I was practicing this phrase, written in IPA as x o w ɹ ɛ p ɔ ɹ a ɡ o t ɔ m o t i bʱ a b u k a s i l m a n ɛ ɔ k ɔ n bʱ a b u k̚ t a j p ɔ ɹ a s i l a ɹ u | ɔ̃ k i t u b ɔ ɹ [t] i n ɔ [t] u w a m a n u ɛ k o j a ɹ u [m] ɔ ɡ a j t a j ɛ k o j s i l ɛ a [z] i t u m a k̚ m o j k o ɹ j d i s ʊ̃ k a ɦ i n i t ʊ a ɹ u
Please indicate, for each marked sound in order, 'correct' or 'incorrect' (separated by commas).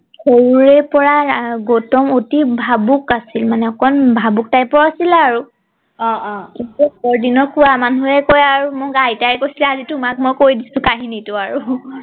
incorrect, incorrect, correct, correct